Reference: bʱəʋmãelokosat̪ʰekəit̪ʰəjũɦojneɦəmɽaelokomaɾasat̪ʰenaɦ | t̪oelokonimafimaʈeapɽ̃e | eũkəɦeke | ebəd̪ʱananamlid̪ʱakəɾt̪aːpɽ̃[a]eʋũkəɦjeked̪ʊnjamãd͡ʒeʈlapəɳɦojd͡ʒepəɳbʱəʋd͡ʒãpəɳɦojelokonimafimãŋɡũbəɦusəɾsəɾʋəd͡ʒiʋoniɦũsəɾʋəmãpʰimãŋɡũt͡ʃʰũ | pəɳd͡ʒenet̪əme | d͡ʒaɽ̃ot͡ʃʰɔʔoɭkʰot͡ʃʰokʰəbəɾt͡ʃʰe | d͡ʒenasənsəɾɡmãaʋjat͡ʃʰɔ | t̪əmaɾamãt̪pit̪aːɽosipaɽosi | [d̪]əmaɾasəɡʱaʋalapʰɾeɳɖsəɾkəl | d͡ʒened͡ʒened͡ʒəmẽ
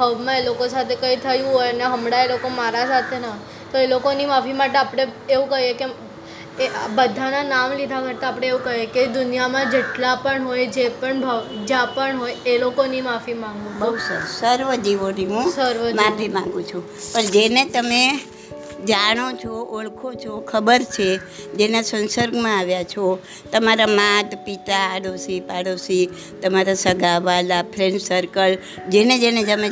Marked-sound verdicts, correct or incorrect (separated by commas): incorrect, incorrect